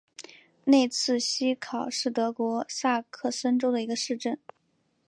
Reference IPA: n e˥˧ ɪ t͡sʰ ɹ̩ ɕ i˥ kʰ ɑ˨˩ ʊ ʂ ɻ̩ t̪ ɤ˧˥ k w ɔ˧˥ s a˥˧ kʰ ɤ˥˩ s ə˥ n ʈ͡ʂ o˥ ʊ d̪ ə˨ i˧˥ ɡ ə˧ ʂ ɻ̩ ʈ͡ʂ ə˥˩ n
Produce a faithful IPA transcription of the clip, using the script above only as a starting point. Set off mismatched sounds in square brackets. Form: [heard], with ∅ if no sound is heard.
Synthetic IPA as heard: n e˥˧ ɪ t͡sʰ ɹ̩ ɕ i˥ kʰ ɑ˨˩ ʊ ʂ ɻ̩ t̪ ɤ˧˥ k w ɔ˧˥ s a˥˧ kʰ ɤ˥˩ s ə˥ n ʈ͡ʂ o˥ ʊ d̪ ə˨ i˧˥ ɡ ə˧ ʂ ɻ̩ ʈ͡ʂ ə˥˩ n